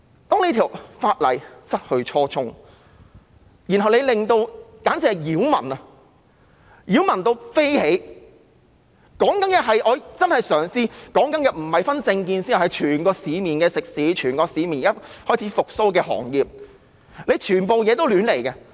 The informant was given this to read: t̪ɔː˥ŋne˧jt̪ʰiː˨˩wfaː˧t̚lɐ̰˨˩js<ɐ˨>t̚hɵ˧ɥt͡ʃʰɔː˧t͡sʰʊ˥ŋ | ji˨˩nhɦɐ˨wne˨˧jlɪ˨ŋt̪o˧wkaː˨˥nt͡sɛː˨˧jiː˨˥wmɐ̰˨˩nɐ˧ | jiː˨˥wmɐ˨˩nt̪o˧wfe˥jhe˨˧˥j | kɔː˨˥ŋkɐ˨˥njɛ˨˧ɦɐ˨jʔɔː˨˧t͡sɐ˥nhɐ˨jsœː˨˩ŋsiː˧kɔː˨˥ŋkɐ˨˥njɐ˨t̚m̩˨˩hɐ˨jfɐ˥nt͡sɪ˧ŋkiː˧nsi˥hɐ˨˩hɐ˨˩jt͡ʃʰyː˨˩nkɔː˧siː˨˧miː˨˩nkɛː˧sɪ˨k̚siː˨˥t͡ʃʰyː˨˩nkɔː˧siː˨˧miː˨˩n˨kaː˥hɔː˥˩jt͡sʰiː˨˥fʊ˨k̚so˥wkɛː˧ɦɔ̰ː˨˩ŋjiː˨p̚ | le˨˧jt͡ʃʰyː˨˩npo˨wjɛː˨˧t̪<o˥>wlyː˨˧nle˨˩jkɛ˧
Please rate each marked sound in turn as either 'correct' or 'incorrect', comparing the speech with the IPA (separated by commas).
incorrect, correct